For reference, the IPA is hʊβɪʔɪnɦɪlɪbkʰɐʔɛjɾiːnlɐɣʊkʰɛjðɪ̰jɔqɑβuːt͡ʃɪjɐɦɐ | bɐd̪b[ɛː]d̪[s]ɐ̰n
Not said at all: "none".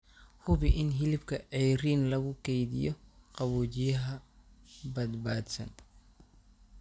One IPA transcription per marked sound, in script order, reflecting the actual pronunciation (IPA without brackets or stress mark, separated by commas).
aː, s